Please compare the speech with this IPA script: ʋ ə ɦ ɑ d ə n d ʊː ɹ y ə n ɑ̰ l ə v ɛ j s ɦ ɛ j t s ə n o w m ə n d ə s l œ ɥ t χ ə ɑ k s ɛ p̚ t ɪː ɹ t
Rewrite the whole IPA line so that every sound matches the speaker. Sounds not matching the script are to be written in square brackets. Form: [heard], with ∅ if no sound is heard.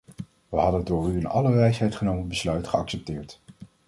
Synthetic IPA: ʋ ə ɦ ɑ d ə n d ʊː ɹ y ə n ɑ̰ l ə [ʋ] ɛ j s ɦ ɛ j t [χ] ə n o w m ə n [b] ə s l œ ɥ t χ ə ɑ k s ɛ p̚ t ɪː ɹ t